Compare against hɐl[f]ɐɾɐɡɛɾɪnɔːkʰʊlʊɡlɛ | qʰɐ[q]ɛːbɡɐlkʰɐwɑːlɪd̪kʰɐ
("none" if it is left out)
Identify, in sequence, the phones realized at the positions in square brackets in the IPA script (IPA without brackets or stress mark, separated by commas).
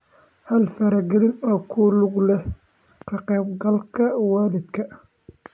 f, q